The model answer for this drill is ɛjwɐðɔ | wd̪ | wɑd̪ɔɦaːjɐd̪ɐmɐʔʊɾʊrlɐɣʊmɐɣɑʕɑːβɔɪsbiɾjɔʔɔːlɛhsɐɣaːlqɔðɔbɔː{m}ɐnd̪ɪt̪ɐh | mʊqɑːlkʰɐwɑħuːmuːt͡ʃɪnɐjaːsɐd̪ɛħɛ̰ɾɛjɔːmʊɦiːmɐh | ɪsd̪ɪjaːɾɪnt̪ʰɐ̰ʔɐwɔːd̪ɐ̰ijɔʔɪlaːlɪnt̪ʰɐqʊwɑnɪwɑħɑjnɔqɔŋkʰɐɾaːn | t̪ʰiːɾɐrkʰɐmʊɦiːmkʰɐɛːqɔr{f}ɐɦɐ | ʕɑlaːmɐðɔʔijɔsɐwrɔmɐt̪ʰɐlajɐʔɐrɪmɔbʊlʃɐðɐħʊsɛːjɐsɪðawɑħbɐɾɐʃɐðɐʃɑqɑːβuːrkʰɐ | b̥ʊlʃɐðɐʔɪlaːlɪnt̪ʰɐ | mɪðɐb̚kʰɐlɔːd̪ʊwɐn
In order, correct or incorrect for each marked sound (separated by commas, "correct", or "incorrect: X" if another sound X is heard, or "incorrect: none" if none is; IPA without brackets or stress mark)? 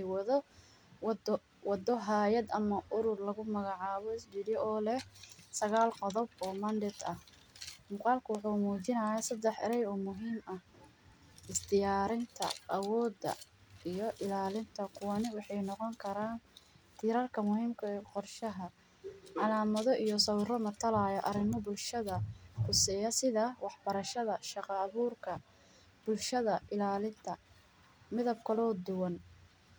correct, incorrect: ʃ